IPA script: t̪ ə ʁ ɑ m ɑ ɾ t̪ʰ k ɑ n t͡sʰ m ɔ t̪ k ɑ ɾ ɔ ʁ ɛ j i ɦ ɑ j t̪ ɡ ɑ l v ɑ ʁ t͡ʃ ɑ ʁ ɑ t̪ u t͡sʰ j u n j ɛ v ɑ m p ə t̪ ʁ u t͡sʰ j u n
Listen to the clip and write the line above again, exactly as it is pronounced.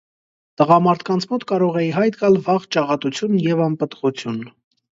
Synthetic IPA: t̪ ə ʁ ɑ m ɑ ɾ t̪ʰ k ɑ n t͡sʰ m ɔ t̪ k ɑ ɾ ɔ ʁ ɛ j i ɦ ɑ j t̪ ɡ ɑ l v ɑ ʁ t͡ʃ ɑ ʁ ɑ t̪ u t͡sʰ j u n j ɛ v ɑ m p ə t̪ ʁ u t͡sʰ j u n